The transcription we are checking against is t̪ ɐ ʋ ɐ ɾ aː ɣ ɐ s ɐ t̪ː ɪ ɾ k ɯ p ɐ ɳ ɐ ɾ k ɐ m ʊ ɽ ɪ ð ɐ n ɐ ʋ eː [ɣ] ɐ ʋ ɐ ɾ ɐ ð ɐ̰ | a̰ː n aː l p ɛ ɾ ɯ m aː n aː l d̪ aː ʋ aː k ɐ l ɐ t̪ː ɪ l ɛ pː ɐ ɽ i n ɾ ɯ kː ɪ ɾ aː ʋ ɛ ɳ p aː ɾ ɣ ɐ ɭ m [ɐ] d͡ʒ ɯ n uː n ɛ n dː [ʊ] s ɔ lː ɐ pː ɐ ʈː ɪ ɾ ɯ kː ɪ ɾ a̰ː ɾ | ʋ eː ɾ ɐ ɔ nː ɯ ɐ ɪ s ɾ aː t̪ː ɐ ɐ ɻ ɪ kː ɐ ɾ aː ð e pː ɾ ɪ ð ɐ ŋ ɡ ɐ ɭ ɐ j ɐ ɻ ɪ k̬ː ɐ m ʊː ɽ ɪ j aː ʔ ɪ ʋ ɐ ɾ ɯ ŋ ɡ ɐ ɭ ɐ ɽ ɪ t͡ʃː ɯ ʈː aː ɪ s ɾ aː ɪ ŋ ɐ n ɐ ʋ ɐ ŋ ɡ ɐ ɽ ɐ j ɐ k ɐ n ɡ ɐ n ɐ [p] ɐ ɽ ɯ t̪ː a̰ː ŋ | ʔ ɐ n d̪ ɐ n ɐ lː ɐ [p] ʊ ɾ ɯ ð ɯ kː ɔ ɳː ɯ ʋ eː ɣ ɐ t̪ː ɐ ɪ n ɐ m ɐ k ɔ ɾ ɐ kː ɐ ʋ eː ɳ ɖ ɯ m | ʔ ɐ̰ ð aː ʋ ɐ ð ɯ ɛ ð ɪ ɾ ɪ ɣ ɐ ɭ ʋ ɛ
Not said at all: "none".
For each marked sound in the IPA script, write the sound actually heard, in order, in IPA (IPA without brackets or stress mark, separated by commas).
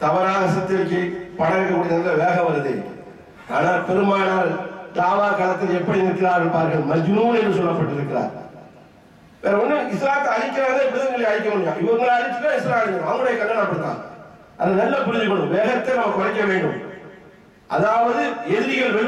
ɣ, ɐ, ɯ, p, p